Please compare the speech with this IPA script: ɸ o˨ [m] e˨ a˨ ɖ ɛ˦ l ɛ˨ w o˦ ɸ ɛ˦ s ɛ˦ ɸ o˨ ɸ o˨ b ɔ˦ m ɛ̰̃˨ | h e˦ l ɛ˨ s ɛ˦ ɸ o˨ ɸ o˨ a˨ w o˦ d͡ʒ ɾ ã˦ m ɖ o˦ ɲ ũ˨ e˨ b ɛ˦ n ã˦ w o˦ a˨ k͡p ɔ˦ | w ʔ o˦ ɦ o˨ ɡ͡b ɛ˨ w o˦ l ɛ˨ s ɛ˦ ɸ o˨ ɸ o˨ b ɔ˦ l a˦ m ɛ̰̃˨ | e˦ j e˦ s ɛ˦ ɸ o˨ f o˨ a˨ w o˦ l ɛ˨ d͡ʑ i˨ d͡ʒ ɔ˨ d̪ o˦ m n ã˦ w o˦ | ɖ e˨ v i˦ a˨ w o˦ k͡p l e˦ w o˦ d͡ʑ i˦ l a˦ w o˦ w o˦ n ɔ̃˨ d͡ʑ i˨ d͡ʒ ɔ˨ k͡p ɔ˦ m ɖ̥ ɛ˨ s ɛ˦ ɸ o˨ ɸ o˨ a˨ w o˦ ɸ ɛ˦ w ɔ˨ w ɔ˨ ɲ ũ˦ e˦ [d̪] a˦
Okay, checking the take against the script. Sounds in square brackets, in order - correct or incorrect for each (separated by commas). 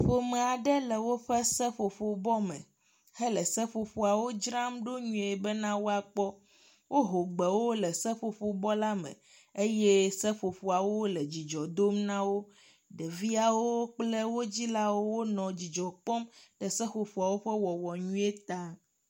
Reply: correct, incorrect